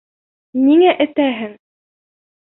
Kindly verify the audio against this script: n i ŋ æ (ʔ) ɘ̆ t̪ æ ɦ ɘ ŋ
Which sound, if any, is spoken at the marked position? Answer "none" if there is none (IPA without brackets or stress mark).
ʔ